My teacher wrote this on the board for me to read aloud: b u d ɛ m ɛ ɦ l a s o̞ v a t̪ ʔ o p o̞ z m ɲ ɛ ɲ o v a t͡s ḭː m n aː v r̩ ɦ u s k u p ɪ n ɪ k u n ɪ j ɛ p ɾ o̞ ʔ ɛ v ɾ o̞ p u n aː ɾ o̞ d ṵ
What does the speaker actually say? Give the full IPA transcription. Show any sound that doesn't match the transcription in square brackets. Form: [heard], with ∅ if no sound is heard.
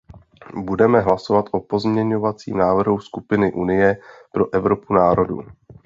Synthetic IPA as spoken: b u d ɛ m ɛ ɦ l a s o̞ v a t̪ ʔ o p o̞ z m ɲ ɛ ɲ o v a t͡s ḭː m n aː v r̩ ɦ u s k u p ɪ n ɪ [ʔ] u n ɪ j ɛ p ɾ o̞ ʔ ɛ v ɾ o̞ p u n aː ɾ o̞ d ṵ